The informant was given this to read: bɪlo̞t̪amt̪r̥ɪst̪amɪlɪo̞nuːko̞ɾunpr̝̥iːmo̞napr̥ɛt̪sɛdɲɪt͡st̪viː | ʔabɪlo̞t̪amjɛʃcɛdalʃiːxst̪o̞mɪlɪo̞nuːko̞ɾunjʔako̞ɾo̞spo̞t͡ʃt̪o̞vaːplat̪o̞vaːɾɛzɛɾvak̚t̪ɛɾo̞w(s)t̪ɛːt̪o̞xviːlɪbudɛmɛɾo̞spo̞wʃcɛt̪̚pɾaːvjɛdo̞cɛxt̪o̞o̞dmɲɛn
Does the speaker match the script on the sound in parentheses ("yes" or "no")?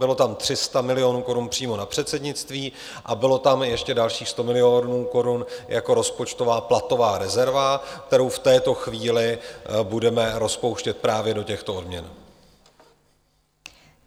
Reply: no